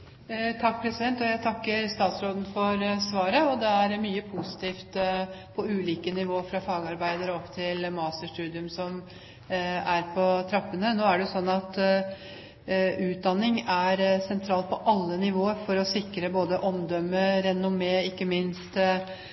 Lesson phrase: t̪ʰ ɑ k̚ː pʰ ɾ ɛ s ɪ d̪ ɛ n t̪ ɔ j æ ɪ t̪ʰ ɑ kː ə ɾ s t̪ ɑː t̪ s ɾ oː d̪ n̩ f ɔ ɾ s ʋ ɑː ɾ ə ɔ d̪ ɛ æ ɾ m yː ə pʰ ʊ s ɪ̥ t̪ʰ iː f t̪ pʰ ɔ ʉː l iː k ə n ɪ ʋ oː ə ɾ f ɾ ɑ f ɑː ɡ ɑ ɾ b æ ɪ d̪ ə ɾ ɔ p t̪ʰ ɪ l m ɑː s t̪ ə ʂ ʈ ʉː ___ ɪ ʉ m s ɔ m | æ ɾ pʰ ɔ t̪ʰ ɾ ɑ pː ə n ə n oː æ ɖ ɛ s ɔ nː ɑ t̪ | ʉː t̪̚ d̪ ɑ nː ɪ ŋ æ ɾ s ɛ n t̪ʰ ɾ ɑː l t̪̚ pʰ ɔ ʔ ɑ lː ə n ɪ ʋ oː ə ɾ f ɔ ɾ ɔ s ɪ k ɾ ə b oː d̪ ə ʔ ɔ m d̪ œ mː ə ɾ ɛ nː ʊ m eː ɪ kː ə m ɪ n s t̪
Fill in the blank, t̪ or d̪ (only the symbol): d̪